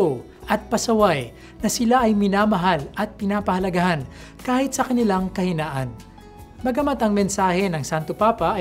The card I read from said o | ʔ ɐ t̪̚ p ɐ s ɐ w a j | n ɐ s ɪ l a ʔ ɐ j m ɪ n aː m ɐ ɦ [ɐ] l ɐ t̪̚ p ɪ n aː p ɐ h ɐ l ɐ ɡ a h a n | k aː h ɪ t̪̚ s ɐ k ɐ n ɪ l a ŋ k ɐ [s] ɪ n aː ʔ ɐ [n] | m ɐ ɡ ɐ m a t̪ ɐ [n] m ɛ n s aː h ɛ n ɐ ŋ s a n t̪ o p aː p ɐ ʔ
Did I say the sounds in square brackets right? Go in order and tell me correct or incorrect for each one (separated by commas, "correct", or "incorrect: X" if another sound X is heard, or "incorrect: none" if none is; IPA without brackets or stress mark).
incorrect: a, incorrect: h, correct, incorrect: ŋ